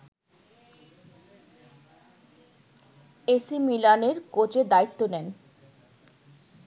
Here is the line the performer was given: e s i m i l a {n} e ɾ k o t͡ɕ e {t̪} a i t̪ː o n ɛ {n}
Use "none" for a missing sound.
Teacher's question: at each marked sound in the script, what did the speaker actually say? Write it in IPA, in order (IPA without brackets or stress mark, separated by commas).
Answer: n, d̪, n